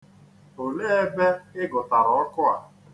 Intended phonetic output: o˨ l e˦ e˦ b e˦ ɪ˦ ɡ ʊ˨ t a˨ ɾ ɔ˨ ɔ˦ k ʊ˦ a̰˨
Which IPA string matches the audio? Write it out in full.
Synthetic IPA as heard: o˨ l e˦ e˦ b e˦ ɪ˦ ɡ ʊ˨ t a˨ ɾ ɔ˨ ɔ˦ k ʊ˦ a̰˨